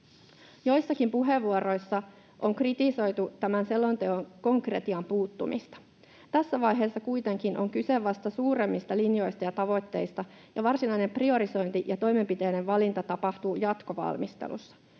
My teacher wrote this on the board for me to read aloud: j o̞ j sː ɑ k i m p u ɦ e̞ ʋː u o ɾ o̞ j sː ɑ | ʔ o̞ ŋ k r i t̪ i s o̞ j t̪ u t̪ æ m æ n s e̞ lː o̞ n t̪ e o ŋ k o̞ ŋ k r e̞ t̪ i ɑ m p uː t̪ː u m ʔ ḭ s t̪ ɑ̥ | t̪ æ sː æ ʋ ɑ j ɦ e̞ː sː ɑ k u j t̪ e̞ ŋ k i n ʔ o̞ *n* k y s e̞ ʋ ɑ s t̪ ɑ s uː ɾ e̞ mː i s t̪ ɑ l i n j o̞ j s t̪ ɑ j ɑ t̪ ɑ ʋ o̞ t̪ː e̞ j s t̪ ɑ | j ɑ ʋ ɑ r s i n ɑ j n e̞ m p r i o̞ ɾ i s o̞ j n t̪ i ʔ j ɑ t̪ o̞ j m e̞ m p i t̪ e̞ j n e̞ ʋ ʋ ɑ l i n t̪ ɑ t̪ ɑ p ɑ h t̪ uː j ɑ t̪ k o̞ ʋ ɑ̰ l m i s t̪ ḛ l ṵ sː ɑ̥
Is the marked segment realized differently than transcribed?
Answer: yes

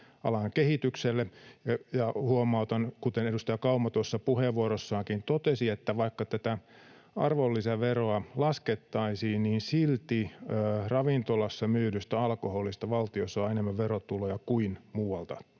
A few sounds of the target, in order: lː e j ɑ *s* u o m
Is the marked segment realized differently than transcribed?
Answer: yes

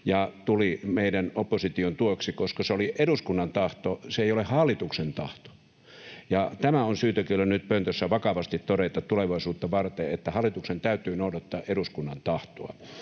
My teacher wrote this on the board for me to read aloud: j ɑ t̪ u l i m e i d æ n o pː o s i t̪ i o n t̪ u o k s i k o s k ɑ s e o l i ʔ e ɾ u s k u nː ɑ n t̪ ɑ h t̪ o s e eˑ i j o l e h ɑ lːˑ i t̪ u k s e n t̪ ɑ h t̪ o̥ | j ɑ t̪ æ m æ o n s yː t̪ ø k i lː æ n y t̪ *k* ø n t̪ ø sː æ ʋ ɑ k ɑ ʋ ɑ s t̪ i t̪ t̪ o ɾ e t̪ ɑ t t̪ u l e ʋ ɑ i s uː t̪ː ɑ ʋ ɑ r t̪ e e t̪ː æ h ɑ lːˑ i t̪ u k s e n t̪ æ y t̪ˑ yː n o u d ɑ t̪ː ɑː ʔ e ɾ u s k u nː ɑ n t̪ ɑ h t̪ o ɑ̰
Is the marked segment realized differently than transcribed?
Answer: yes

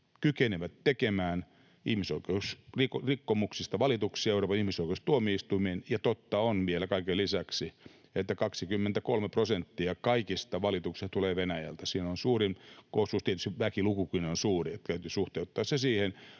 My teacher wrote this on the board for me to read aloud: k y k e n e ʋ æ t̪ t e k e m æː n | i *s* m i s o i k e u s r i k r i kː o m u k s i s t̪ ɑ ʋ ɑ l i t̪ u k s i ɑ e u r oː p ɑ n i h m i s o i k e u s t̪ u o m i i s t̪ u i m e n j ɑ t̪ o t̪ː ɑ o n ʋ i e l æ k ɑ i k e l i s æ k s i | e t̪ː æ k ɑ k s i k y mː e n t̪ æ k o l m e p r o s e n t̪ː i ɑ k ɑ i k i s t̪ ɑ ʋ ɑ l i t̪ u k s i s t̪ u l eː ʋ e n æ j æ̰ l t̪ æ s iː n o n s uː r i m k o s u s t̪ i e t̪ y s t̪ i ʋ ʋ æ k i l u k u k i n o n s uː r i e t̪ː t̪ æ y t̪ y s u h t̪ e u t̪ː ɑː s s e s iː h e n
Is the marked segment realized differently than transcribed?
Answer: yes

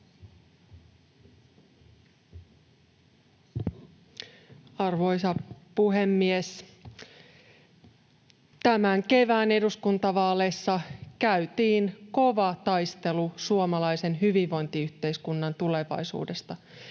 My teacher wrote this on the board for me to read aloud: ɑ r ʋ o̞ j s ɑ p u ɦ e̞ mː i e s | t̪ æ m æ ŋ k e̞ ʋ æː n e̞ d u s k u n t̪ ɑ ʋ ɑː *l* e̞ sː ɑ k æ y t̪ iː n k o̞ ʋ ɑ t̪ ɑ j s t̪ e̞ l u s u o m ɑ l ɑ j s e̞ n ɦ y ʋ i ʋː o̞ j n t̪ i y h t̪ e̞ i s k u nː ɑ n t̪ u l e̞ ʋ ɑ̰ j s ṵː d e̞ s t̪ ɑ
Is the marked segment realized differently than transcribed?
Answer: no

